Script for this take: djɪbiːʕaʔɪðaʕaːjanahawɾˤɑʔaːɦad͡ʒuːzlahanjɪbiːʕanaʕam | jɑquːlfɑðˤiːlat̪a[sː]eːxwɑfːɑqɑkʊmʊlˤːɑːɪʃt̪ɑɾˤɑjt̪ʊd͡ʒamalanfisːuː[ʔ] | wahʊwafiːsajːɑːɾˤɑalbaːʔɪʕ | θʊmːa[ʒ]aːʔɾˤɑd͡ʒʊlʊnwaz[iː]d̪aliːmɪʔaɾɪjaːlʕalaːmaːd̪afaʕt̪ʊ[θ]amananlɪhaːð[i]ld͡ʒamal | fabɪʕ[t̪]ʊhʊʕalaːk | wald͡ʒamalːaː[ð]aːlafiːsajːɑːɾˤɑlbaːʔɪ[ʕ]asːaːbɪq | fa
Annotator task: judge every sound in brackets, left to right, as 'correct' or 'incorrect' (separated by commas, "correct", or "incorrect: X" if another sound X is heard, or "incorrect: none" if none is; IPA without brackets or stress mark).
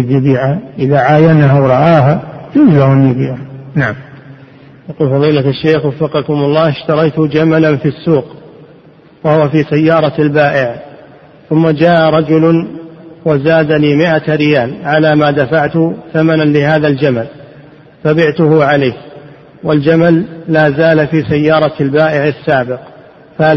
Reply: incorrect: ʃː, incorrect: q, incorrect: d͡ʒ, incorrect: aː, correct, incorrect: a, correct, incorrect: z, correct